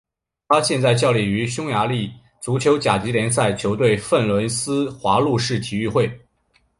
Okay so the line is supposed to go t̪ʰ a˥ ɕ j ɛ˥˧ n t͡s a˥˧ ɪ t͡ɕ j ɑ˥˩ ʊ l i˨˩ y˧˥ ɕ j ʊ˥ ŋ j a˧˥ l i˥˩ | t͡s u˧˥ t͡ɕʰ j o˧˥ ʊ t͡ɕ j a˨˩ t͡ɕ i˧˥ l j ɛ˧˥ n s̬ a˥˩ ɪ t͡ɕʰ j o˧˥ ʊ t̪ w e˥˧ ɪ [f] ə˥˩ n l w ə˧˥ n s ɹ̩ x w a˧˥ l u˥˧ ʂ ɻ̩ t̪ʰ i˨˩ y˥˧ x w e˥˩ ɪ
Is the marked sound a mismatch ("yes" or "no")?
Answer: no